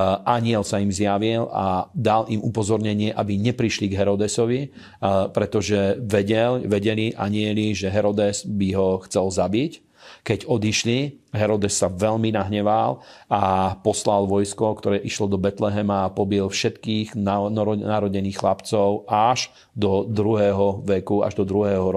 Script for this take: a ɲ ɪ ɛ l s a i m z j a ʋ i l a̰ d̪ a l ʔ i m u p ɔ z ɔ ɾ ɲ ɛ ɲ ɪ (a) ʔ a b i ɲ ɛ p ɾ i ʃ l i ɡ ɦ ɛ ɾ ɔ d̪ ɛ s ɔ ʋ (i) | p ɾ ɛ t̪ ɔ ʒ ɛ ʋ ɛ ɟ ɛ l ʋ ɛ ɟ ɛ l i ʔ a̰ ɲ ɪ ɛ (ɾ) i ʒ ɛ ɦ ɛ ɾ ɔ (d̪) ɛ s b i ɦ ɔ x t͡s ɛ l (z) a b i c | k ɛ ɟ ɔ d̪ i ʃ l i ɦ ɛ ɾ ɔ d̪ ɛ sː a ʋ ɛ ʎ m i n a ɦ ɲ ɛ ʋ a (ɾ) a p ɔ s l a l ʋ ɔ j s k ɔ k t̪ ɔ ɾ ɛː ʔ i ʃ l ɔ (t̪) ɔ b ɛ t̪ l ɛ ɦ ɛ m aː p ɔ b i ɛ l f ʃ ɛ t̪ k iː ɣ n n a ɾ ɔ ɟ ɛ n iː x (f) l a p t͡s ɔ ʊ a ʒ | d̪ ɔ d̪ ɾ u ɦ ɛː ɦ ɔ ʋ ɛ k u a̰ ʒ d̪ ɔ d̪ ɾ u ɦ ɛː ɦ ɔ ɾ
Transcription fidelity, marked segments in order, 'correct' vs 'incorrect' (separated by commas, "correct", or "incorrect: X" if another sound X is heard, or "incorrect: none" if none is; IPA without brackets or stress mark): incorrect: ɛ, correct, incorrect: l, correct, correct, incorrect: l, incorrect: d̪, incorrect: x